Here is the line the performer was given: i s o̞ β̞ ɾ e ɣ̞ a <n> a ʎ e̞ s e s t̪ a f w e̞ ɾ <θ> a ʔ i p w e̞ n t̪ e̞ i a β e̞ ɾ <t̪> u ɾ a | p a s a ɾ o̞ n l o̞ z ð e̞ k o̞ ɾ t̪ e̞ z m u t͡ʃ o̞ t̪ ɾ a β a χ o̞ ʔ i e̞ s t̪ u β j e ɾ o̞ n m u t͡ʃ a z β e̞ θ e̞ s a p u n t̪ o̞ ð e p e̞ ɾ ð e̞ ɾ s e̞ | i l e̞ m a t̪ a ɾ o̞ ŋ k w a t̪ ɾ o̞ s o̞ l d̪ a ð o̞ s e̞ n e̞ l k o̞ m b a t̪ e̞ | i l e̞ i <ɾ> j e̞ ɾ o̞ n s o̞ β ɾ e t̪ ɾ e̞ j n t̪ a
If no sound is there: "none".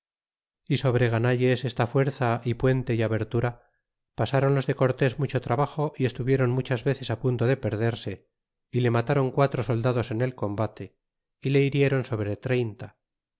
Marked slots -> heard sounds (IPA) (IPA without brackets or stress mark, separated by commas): n, θ, t̪, ɾ